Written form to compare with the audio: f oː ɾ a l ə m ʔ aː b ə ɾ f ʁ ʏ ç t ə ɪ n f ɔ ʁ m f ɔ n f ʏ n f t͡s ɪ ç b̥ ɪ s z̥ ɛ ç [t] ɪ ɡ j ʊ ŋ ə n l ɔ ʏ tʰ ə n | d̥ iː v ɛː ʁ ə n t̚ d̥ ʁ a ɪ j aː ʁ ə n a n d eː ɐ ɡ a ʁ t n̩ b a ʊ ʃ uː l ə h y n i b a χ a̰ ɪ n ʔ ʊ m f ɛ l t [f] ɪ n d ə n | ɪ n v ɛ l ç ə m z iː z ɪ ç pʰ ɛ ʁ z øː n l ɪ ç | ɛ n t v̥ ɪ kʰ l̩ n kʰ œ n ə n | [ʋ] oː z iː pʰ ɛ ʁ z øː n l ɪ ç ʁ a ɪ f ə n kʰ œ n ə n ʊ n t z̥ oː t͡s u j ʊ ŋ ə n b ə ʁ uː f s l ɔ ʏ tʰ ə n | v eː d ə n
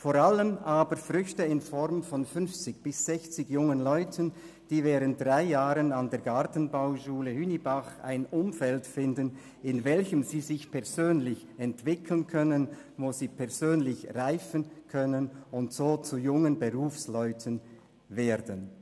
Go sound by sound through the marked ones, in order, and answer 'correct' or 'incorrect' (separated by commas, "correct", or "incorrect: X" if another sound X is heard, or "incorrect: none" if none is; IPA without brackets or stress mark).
incorrect: t͡s, correct, incorrect: v